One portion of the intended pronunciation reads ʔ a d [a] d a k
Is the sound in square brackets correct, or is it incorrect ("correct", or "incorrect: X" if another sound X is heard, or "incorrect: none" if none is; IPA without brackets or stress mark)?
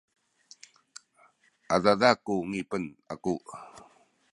correct